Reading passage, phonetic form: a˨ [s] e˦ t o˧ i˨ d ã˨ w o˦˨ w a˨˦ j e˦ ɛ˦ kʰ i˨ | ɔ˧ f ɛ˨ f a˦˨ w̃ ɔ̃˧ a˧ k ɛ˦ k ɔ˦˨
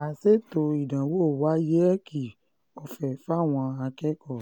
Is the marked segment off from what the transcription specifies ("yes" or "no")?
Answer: no